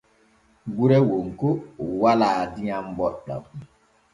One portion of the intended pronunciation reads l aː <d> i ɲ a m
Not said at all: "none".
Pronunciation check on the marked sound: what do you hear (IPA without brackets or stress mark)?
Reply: d